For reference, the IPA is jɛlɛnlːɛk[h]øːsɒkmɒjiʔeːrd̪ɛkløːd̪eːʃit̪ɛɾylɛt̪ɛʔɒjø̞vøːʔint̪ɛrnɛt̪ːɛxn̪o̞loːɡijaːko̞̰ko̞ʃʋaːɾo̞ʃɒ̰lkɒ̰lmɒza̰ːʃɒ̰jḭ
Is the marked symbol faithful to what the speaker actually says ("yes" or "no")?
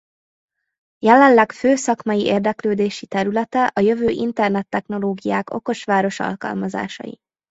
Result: no